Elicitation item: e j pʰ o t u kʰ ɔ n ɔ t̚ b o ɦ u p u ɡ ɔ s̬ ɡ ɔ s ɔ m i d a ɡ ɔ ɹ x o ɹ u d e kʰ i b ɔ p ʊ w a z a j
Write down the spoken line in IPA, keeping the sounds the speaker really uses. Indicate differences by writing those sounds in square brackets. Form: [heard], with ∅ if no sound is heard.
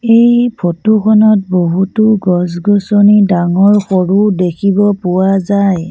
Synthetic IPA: e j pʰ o t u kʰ ɔ n ɔ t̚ b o ɦ u [t] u ɡ ɔ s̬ ɡ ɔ s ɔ [n] i d a [ŋ] ɔ ɹ x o ɹ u d e kʰ i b ɔ p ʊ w a z a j